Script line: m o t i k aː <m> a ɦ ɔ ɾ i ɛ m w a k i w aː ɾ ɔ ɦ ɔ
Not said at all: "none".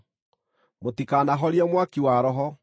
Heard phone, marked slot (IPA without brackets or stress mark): n